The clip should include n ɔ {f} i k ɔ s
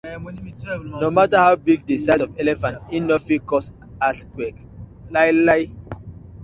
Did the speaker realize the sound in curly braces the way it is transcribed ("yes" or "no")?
yes